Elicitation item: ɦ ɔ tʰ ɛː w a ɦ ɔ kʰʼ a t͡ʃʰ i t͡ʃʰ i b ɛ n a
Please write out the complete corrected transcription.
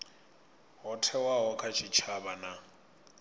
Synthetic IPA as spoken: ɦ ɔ tʰ ɛ w a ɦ ɔ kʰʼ a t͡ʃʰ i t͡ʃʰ a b a n a